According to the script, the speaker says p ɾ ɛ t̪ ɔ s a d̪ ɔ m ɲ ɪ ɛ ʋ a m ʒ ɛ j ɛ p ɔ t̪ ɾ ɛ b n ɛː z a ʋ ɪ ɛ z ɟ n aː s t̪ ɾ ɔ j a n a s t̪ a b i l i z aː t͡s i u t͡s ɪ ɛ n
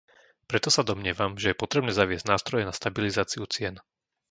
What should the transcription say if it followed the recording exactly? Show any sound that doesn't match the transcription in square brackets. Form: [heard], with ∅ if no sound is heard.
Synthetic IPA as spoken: p ɾ ɛ t̪ ɔ s a d̪ ɔ m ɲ ɪ ɛ ʋ a m ʒ ɛ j ɛ p ɔ t̪ ɾ ɛ b n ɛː z a ʋ ɪ ɛ z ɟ n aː s t̪ ɾ ɔ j [ɛ] n a s t̪ a b i l i z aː t͡s i u t͡s ɪ ɛ n